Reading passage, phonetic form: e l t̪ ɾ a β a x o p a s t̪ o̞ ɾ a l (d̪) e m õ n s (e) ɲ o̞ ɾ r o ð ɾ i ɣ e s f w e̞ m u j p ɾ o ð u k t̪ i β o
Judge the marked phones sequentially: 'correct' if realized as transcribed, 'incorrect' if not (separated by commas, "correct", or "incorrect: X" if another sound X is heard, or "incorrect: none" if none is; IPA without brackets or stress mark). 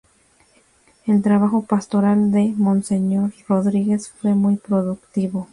correct, correct